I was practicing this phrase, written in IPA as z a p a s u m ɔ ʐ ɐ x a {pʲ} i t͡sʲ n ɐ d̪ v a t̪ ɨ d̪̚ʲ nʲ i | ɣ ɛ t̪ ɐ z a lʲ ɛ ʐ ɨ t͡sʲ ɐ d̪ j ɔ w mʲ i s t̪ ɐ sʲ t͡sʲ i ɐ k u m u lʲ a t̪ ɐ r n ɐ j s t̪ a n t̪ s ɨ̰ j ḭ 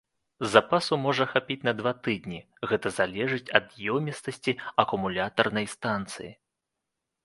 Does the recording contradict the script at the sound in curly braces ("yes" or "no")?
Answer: no